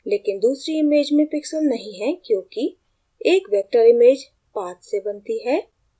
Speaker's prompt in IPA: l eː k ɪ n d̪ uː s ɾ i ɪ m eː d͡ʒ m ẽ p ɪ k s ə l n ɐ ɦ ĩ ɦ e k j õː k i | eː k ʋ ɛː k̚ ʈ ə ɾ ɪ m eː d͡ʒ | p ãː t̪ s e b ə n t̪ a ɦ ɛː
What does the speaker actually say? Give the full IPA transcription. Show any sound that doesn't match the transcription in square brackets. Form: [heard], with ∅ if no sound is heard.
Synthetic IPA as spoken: l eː k ɪ n d̪ uː s ɾ i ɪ m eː d͡ʒ m ẽ p ɪ k s ə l n ɐ ɦ ĩ ɦ [ɛ] k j õː k i | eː k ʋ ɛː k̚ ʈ ə ɾ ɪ m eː d͡ʒ | p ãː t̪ s e b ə n t̪ [i] ɦ ɛː